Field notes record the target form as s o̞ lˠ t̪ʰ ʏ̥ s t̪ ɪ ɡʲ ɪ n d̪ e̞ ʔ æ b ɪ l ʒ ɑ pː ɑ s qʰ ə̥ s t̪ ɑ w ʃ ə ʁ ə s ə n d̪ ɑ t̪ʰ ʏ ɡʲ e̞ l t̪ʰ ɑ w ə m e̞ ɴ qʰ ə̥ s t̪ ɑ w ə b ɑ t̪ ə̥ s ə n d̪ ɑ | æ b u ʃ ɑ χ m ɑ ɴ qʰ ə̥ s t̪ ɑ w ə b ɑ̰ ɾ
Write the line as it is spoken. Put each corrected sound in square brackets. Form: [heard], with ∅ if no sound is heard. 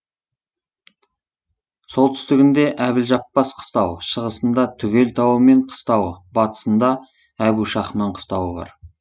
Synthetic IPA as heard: s o̞ lˠ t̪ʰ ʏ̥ s t̪ ɪ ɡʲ ɪ n d̪ e̞ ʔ æ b ɪ l ʒ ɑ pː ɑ s qʰ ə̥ s t̪ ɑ w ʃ ə ʁ ə s ə n d̪ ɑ t̪ʰ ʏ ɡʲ e̞ l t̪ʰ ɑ w ə m e̞ ɴ qʰ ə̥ s t̪ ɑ w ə b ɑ t̪ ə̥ s ə n d̪ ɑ | æ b u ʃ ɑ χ m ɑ ɴ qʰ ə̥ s t̪ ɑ w ə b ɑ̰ ɾ